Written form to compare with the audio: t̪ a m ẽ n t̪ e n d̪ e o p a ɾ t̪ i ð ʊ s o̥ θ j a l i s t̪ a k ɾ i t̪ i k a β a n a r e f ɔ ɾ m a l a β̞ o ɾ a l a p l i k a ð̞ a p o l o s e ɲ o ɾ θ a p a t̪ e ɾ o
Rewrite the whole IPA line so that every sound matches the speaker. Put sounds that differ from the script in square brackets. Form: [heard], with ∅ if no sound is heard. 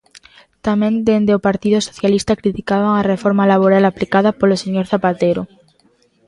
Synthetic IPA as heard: t̪ a m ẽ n [d̪] e n d̪ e o p a ɾ t̪ i ð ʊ s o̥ θ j a l i s t̪ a k ɾ i t̪ i k a β a [ŋ] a r e f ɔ ɾ m a l a β̞ o ɾ a l a p l i k a ð̞ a p o l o s e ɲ o ɾ θ a p a t̪ e ɾ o